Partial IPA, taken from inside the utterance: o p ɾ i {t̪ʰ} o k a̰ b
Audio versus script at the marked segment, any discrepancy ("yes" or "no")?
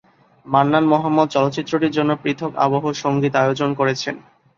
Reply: no